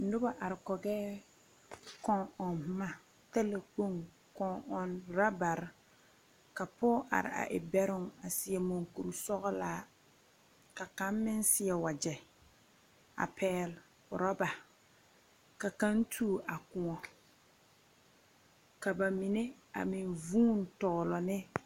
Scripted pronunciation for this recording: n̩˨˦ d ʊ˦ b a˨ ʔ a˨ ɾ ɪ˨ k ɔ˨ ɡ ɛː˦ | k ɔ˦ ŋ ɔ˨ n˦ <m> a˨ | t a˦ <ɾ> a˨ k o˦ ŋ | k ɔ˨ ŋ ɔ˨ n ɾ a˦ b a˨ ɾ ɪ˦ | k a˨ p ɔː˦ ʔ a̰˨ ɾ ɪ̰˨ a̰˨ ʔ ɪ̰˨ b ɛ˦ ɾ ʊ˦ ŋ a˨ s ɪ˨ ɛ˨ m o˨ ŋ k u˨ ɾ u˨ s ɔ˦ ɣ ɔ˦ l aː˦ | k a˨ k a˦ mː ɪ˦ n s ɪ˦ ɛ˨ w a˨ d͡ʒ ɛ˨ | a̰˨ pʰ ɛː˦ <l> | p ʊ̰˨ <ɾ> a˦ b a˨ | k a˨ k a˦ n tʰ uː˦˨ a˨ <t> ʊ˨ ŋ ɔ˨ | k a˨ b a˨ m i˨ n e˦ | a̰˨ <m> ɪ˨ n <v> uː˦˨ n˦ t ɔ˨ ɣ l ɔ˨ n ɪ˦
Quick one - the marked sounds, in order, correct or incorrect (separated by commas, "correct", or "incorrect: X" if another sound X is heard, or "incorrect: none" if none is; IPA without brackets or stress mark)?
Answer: correct, incorrect: l, correct, correct, incorrect: k, correct, correct